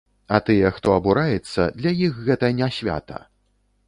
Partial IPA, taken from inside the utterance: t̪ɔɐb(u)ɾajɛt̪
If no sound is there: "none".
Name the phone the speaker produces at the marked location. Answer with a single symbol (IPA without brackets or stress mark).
u